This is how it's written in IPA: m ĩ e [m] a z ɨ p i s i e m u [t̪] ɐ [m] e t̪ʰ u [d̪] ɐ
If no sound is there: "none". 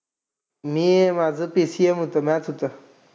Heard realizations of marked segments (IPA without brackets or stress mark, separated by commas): m, t̪, m, t̪